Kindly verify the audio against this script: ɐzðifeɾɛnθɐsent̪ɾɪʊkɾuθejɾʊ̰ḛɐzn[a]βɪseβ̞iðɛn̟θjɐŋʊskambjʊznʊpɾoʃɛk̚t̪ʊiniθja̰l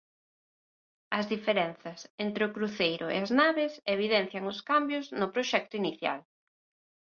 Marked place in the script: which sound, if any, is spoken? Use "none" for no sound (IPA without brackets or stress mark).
a